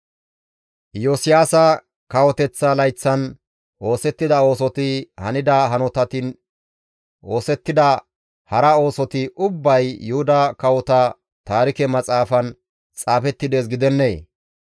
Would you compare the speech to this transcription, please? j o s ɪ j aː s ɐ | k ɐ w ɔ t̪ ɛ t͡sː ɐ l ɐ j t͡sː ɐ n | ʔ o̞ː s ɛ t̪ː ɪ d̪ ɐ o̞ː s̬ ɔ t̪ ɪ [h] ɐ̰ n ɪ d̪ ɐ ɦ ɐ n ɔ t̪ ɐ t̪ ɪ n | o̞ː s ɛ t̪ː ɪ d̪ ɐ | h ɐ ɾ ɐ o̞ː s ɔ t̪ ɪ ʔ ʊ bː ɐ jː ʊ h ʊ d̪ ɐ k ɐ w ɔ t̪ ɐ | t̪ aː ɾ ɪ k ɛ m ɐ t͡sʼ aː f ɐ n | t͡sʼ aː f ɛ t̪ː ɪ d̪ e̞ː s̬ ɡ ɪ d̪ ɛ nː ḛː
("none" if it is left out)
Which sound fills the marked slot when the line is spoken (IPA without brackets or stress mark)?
h